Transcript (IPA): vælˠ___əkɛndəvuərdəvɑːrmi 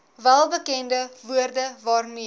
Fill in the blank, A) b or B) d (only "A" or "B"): A